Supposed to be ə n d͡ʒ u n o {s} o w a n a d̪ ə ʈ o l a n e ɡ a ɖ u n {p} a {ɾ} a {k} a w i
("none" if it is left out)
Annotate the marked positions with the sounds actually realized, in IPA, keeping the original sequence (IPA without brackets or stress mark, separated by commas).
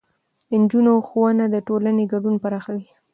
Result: x, p, ɾ, x